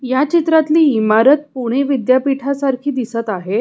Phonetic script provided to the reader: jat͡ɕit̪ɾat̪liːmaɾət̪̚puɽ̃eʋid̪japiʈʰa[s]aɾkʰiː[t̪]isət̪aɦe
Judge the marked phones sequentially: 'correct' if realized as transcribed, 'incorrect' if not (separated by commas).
correct, incorrect